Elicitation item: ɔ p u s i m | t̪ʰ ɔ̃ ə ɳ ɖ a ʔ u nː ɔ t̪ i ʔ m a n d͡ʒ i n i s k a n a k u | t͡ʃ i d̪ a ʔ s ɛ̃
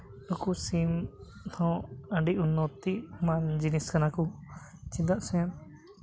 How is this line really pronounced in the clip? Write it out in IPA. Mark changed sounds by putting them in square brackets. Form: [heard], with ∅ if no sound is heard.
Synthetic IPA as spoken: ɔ [k] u s i m | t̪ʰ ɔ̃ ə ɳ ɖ [i] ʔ u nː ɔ t̪ i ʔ m a n d͡ʒ i n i s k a n a k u | t͡ʃ i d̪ a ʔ s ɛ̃